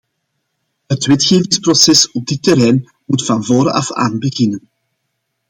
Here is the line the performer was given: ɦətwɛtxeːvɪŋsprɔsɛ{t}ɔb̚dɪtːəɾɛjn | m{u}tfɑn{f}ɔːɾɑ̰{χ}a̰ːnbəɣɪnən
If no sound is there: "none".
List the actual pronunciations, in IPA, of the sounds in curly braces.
s, u, v, f

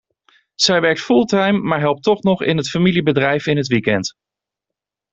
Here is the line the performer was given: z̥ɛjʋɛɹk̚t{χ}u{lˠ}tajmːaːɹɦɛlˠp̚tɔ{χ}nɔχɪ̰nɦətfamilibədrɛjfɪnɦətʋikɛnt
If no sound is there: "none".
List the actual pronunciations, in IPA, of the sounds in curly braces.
f, lˠ, χ

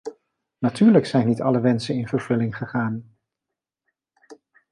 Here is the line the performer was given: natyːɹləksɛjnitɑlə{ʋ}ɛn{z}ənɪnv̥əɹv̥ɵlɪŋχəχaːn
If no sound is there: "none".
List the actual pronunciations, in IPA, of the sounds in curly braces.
ʋ, s

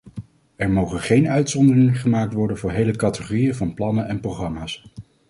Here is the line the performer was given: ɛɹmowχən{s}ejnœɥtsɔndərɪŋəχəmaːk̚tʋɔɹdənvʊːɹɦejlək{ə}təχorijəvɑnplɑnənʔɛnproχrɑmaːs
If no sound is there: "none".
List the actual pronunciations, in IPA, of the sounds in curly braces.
χ, ɑ

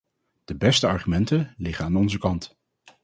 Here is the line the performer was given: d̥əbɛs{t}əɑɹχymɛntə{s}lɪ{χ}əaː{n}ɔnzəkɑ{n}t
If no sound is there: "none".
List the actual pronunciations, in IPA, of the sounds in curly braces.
t, none, χ, n, n

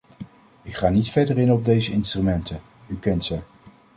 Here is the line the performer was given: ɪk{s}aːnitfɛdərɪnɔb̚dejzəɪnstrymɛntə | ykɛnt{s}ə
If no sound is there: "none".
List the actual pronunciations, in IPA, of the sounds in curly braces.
χ, s

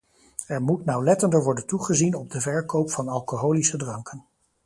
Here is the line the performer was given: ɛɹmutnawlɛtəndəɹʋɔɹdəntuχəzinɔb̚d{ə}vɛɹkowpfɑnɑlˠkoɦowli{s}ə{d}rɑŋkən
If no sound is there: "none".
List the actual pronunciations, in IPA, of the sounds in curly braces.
ə, s, d

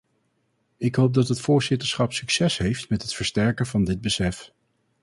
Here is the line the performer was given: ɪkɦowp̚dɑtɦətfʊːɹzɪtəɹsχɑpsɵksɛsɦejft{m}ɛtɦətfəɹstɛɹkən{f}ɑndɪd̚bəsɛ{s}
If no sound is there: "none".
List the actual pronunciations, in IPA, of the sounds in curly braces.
m, v, f

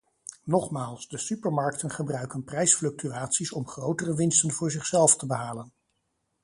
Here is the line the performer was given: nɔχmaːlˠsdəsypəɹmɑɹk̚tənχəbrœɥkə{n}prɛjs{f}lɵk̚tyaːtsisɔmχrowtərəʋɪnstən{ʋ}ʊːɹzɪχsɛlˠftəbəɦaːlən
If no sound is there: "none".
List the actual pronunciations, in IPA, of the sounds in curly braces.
n, f, v

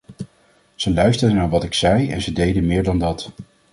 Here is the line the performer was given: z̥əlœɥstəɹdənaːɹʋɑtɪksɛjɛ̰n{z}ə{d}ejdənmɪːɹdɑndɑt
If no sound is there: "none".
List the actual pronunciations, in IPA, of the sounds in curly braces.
z, d

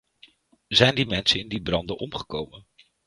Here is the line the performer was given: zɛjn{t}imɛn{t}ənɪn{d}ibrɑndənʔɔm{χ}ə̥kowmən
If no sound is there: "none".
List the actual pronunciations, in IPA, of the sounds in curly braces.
d, s, d, χ

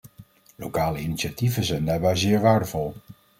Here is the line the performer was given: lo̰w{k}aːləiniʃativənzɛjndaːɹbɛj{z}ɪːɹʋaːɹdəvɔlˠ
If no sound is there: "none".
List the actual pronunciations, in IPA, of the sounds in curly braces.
k, z

